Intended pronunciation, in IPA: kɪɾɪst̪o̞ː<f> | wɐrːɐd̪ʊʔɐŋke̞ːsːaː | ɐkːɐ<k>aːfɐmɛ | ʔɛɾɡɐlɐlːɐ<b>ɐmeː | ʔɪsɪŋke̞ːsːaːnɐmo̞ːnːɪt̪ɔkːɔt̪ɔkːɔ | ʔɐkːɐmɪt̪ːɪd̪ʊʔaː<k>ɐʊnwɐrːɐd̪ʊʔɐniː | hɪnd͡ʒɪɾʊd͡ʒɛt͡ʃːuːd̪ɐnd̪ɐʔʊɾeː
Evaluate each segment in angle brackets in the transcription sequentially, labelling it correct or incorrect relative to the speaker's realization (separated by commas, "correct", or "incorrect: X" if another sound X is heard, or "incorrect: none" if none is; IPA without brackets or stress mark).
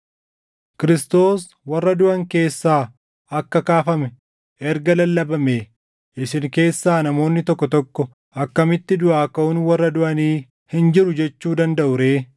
incorrect: s, correct, correct, correct